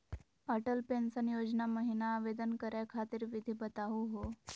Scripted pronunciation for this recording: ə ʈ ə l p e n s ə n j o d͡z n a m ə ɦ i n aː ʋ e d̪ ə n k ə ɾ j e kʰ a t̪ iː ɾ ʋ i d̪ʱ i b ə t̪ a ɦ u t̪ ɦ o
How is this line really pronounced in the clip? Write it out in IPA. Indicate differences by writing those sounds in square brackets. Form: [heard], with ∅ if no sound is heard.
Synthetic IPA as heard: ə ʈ ə l p e n s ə n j o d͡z n a m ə ɦ i n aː ʋ e d̪ ə n k ə ɾ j [a] kʰ a t̪ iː ɾ ʋ i d̪ʱ i b ə t̪ a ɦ u [∅] ɦ o